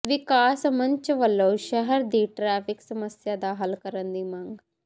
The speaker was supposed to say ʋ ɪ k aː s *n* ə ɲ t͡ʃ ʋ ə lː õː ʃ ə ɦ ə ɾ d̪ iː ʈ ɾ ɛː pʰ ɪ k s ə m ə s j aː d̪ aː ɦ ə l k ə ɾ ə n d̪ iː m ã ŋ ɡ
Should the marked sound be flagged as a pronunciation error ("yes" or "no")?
yes